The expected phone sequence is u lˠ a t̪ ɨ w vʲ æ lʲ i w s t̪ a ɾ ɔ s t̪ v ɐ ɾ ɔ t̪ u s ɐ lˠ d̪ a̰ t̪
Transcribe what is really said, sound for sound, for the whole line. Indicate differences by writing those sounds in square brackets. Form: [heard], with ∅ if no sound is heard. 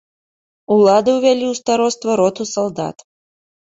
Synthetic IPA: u lˠ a [d̪] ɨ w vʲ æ lʲ i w s t̪ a ɾ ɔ s t̪ v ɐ ɾ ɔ t̪ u s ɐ lˠ d̪ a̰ t̪